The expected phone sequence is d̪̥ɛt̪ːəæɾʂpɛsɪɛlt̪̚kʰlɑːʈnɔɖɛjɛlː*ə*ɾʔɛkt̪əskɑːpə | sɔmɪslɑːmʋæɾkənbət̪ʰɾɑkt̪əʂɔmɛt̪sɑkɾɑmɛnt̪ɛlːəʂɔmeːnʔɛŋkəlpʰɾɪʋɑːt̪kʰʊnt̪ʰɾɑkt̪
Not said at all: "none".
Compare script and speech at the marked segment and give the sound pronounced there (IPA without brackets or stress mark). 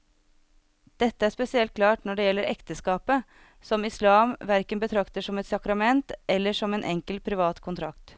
ə